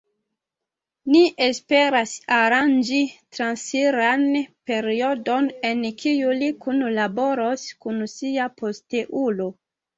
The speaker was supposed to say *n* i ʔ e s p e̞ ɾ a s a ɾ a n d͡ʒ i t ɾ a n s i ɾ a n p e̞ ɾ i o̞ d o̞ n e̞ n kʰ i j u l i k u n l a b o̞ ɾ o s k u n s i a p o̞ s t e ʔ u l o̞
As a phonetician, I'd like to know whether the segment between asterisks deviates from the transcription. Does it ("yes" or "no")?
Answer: no